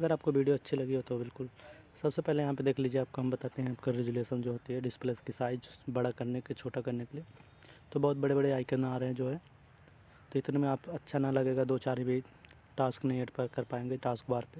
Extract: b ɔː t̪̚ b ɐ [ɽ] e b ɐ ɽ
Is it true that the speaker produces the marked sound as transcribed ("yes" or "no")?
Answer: yes